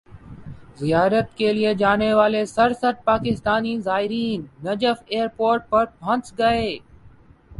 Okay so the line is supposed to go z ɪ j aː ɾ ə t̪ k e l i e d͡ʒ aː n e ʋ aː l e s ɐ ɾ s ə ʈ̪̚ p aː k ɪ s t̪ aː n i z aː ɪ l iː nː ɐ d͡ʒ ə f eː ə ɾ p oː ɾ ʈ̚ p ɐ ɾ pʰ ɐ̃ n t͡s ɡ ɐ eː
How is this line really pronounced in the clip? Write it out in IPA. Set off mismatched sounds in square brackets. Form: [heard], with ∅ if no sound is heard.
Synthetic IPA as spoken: z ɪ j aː ɾ ə t̪ k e l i e d͡ʒ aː n e ʋ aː l e s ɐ ɾ s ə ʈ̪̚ p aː k ɪ s t̪ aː n i z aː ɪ [ɾ] iː nː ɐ d͡ʒ ə f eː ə ɾ p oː ɾ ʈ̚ p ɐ ɾ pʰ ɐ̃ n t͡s ɡ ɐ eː